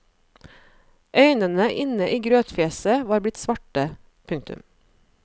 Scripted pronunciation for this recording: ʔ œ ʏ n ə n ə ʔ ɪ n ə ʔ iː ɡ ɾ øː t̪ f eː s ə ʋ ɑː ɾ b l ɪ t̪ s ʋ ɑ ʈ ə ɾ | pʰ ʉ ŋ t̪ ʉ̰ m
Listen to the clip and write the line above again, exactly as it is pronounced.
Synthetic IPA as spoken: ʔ œ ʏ n ə n ə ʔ ɪ n ə ʔ iː ɡ ɾ øː t̪ f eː s ə ʋ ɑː ɾ b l ɪ t̪ s ʋ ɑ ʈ ə | pʰ ʉ ŋ t̪ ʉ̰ m